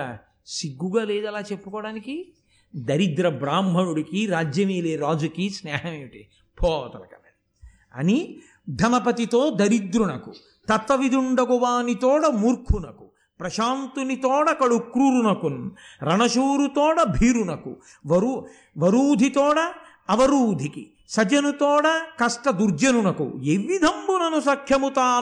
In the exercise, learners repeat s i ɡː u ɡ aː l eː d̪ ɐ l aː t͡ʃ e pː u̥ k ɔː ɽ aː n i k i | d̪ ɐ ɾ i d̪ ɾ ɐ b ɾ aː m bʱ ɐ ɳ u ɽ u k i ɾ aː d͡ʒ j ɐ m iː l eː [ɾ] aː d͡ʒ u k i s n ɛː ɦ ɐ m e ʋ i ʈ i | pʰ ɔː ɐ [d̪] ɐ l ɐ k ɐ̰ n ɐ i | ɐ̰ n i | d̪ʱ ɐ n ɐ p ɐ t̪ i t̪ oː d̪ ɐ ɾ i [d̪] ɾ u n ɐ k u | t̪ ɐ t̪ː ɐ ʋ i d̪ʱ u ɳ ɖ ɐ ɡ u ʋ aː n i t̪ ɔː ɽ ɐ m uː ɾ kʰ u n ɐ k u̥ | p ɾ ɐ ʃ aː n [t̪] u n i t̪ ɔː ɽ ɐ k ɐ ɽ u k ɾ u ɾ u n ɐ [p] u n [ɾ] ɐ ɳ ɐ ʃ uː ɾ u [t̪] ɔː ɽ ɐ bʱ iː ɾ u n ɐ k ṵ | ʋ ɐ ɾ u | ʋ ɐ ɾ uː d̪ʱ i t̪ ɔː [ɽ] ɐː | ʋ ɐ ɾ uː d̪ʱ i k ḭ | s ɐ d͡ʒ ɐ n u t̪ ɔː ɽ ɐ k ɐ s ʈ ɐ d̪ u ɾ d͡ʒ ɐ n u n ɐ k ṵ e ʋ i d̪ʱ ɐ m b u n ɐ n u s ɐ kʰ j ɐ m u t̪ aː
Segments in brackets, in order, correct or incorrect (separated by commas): correct, incorrect, correct, correct, incorrect, correct, correct, correct